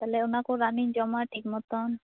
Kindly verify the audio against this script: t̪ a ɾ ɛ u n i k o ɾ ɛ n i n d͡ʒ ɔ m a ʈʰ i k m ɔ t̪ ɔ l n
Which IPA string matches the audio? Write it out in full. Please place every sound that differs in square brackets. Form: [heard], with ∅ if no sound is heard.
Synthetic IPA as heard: t̪ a [l] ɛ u n [a] k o ɾ [a] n i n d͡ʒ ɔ m a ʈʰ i k m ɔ t̪ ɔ [∅] n